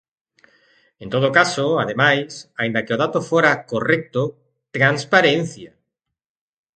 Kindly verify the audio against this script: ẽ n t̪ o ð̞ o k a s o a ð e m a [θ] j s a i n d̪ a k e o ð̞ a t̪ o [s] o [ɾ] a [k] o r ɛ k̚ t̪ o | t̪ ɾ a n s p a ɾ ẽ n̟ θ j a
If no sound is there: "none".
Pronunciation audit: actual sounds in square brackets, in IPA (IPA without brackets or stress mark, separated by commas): none, f, ɾ, k